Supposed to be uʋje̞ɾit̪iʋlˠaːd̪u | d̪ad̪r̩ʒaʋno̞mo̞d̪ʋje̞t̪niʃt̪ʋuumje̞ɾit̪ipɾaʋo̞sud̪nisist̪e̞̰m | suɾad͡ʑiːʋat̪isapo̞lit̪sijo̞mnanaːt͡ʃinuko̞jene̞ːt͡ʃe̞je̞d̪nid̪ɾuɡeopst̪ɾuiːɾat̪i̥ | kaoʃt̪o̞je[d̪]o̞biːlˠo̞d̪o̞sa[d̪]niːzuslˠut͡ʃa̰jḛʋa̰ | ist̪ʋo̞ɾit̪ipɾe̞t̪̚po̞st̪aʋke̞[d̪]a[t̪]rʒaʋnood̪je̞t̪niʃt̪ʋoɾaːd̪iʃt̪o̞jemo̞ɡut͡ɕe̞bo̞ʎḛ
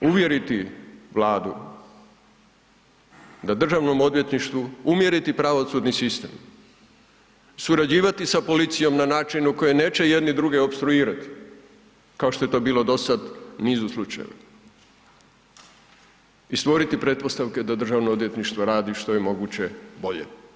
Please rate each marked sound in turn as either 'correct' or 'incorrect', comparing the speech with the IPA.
incorrect: t̪, correct, correct, incorrect: d̪

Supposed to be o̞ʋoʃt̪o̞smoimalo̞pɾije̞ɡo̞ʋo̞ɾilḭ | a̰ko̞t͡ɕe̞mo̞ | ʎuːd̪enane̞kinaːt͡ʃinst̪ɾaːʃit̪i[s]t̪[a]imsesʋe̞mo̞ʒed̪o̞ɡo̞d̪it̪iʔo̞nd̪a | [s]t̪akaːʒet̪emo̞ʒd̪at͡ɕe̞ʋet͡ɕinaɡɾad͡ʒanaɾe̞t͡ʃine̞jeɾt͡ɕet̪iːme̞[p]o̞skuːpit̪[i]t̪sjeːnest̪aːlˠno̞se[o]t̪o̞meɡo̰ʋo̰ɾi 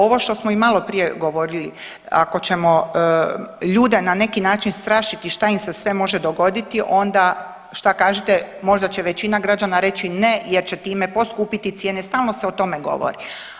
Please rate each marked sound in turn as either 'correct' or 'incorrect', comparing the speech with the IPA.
incorrect: ʃ, correct, incorrect: ʃ, correct, correct, correct

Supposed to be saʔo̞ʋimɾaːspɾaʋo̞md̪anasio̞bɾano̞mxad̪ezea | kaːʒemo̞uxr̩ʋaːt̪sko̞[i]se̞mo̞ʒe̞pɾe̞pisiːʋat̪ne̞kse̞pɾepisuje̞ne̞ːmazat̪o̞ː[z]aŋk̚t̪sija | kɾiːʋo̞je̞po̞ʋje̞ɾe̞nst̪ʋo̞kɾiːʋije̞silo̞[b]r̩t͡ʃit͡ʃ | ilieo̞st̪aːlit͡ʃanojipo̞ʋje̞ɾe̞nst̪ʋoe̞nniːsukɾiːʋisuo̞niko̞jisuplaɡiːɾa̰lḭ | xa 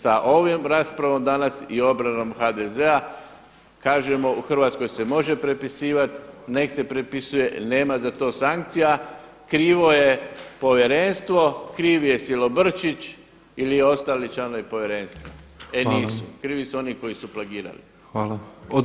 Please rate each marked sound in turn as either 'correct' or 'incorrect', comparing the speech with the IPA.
incorrect: j, incorrect: s, correct

